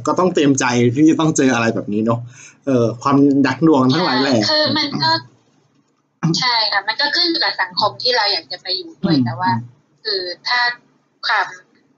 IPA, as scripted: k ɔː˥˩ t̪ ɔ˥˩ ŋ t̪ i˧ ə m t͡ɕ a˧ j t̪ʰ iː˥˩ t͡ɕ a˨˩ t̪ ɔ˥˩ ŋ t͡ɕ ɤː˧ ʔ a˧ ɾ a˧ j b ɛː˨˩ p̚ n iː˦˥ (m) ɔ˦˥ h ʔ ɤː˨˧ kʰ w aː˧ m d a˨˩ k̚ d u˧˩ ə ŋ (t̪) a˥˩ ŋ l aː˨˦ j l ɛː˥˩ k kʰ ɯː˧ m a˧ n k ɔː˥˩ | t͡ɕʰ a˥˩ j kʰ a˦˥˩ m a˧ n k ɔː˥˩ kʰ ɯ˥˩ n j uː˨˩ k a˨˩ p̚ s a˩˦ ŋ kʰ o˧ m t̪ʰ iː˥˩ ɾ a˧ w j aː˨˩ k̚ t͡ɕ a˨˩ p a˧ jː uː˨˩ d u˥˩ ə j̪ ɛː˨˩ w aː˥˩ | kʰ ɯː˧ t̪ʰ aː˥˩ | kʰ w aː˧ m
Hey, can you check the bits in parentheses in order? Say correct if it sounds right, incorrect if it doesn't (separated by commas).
incorrect, incorrect